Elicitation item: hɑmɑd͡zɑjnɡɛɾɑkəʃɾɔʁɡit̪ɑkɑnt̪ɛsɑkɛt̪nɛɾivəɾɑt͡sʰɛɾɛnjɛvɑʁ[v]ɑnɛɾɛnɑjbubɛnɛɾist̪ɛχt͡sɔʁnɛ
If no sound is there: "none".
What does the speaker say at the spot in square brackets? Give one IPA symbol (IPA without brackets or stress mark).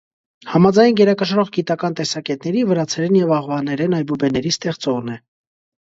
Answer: v